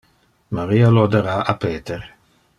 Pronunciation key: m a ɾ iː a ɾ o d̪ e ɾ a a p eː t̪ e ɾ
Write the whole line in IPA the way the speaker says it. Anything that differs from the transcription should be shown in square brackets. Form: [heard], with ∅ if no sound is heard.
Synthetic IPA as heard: m a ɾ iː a [l] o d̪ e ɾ a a p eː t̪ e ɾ